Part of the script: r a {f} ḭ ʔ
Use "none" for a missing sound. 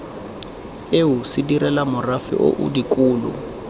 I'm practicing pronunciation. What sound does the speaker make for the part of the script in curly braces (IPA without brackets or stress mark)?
f